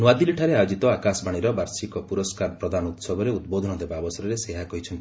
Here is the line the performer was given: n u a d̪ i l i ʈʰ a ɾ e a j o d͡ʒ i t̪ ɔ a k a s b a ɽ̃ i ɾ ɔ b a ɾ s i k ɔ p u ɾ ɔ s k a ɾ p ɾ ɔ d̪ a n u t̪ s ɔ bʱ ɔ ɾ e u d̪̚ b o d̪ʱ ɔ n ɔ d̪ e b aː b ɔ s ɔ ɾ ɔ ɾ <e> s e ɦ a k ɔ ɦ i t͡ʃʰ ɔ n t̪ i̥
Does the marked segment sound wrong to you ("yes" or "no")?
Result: no